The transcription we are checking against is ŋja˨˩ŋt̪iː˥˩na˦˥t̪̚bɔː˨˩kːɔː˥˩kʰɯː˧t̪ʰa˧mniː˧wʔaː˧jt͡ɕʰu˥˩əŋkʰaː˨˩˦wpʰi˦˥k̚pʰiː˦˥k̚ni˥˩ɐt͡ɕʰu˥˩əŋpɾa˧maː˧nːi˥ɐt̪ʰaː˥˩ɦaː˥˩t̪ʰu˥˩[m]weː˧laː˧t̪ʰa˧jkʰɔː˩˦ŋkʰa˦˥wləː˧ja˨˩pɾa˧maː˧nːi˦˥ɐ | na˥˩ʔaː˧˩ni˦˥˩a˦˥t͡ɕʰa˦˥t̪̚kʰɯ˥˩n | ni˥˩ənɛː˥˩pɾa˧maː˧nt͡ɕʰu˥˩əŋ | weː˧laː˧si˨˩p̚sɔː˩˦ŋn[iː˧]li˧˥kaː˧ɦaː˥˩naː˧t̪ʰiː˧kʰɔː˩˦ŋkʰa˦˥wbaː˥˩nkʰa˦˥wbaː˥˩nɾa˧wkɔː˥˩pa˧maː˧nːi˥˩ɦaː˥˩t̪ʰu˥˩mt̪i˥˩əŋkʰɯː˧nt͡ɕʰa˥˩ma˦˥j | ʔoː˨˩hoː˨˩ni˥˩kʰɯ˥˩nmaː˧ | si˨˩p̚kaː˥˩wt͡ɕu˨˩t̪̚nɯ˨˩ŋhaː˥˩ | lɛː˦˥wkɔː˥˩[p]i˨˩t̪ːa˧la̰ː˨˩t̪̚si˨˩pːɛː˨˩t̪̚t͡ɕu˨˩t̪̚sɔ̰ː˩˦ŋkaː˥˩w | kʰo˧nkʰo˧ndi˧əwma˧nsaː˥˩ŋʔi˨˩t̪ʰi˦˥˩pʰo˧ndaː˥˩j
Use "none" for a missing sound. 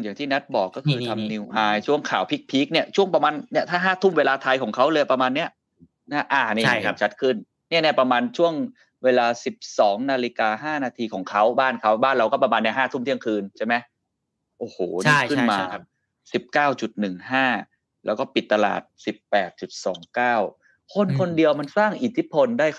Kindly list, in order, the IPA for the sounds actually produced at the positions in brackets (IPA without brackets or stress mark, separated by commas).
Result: m, aː˧, p